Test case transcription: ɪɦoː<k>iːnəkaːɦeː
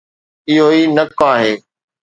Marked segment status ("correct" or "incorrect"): incorrect